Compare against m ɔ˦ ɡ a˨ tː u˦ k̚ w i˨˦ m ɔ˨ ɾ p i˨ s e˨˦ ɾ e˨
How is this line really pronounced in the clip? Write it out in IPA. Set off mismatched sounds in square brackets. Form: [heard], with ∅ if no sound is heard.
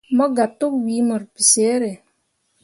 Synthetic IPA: m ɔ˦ ɡ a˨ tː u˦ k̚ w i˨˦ m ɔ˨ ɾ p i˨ s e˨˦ ɾ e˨

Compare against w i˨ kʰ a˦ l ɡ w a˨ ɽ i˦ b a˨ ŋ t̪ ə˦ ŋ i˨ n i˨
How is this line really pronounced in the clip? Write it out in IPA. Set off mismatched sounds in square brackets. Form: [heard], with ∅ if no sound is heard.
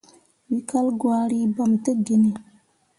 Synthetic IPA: w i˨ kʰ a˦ l ɡ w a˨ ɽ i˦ b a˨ [m] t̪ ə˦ [ɡ] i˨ n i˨

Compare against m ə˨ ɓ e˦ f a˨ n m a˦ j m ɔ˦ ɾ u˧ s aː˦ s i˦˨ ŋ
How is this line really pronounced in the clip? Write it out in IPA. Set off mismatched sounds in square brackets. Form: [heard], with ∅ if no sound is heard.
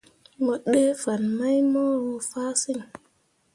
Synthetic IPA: m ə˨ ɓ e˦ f a˨ n m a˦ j m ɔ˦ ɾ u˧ [f] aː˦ s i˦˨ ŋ

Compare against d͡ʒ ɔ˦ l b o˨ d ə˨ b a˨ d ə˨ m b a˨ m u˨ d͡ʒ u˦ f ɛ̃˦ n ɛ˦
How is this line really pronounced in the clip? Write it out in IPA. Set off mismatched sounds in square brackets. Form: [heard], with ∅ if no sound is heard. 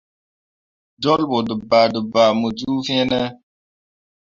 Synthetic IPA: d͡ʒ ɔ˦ l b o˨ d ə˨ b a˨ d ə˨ [∅] b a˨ m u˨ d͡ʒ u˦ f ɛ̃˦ n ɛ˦

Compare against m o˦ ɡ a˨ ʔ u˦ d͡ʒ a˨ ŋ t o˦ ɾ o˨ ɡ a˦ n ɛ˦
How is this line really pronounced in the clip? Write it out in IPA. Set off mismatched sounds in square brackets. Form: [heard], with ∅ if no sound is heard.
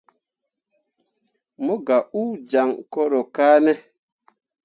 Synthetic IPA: m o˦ ɡ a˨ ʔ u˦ d͡ʒ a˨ ŋ [k] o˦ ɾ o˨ [k] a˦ n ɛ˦

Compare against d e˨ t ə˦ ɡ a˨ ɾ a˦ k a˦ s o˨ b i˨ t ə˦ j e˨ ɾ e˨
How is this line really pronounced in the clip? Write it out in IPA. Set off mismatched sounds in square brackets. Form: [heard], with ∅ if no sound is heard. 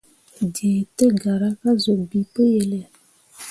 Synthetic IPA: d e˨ t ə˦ ɡ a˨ ɾ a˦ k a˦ [z] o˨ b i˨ [p] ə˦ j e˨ [l] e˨

